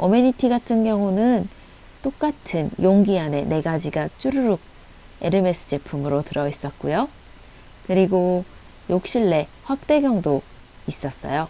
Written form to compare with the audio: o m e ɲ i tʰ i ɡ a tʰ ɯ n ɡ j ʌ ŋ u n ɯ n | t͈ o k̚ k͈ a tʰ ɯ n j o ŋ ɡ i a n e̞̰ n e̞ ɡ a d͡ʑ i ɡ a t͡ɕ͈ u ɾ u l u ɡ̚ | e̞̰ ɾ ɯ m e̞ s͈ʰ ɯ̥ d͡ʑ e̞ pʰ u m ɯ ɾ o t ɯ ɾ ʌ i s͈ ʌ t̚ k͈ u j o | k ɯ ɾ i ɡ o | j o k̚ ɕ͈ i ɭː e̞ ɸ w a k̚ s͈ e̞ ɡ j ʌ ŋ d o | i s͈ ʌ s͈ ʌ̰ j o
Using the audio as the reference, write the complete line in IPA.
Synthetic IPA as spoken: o m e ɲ i tʰ i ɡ a tʰ ɯ n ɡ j ʌ ŋ u n ɯ n | t͈ o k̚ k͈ a tʰ ɯ n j o ŋ ɡ i a n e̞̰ n e̞ ɡ a d͡ʑ i ɡ a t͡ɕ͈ u ɾ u ɾ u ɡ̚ | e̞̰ ɾ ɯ m e̞ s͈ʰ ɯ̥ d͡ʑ e̞ pʰ u m ɯ ɾ o t ɯ ɾ ʌ i s͈ ʌ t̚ k͈ u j o | k ɯ ɾ i ɡ o | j o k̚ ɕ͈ i ɭː e̞ ɸ w a k̚ t͈ e̞ ɡ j ʌ ŋ d o | i s͈ ʌ s͈ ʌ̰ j o